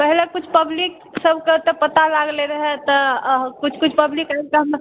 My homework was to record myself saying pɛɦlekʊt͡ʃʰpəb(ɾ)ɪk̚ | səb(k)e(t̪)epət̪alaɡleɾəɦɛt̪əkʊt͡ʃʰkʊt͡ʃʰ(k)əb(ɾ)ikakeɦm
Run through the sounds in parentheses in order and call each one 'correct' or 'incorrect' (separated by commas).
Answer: incorrect, correct, correct, incorrect, incorrect